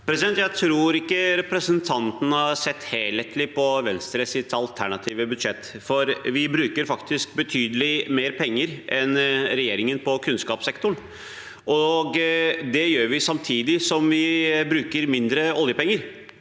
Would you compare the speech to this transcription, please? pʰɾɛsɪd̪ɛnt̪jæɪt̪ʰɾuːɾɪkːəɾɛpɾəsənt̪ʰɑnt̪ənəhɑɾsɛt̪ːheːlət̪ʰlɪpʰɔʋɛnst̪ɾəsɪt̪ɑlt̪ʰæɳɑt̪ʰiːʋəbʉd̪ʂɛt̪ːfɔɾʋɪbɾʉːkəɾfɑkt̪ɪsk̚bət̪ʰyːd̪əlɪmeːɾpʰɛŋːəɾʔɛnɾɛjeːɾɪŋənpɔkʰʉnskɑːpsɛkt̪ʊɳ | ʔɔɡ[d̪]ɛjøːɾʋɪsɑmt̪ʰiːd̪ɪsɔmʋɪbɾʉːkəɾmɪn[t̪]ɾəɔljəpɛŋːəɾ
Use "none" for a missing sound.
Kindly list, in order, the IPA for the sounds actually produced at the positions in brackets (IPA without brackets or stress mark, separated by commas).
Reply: d̪, d̪